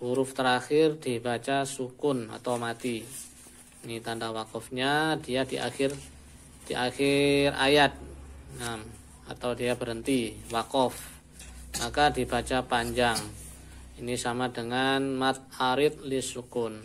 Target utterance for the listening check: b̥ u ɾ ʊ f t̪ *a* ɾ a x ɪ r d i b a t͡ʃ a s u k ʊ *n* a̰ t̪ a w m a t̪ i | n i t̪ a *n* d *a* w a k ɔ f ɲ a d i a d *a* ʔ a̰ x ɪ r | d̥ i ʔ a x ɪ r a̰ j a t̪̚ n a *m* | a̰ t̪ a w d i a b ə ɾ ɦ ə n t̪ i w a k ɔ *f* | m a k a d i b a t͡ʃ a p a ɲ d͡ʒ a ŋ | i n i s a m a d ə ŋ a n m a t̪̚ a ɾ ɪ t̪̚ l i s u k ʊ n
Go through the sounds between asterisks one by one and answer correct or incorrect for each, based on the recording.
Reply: incorrect: ə, correct, correct, correct, incorrect: i, correct, correct

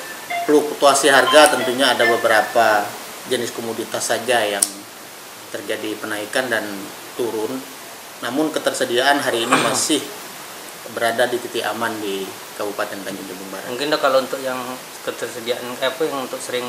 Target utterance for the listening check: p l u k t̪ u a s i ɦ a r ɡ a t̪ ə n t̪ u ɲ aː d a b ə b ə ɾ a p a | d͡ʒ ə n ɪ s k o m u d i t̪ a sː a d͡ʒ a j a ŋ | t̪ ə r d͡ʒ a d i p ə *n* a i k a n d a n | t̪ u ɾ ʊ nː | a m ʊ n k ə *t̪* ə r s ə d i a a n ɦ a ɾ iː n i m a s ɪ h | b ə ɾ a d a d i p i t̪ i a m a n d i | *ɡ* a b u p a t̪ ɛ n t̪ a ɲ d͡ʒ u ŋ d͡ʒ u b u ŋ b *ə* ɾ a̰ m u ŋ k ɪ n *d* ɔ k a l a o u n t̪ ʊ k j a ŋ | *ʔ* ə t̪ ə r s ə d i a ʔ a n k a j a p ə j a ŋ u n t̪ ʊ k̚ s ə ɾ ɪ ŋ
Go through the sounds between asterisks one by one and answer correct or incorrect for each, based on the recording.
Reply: correct, correct, incorrect: k, incorrect: a, correct, incorrect: k

